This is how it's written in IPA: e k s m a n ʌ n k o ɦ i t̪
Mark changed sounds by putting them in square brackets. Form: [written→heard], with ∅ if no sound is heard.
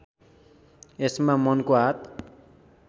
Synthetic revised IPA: e [k→∅] s m a [n→m] ʌ n k o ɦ [i→a] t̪